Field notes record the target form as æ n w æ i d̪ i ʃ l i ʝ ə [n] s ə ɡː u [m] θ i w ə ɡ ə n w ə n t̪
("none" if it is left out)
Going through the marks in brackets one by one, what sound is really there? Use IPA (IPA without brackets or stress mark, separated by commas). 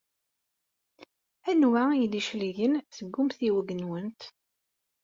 n, m